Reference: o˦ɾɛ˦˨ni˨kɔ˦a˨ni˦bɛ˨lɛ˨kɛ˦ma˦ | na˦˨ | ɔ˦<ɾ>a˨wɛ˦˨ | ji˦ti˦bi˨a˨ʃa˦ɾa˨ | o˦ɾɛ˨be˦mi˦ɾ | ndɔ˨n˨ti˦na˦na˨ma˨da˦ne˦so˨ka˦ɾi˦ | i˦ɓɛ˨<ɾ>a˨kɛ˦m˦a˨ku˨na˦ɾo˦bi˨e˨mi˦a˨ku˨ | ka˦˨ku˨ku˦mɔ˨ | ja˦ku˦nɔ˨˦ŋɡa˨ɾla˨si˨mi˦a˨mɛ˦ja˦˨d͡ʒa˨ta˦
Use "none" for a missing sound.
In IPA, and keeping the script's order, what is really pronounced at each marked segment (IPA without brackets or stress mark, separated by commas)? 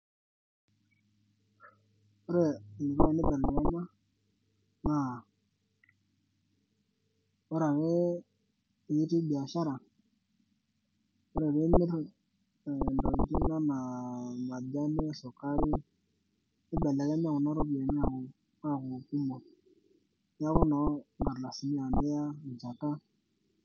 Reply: ɾ, l